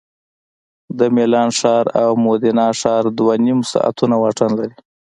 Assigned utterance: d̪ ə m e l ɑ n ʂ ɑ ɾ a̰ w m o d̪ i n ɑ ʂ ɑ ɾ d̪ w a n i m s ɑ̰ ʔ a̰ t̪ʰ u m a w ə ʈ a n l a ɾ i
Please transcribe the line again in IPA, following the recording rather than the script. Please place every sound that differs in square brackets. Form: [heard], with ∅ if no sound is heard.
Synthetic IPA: d̪ ə m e l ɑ n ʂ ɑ ɾ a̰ w m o d̪ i n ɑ ʂ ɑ ɾ d̪ w a n i m s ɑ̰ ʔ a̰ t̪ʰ u [n] a w [ɑ] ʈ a n l a ɾ i